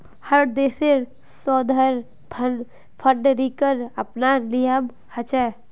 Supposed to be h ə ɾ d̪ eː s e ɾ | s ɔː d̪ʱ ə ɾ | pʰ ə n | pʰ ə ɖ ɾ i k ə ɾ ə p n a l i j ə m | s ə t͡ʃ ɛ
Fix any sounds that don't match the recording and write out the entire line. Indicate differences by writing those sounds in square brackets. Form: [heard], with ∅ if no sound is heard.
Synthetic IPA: h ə ɾ d̪ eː s e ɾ | s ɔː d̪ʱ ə ɾ | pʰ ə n | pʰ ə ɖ ɾ i k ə ɾ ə p n a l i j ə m | [h] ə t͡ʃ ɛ